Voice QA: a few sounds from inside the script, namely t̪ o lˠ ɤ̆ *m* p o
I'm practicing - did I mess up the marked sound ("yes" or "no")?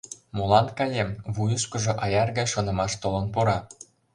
yes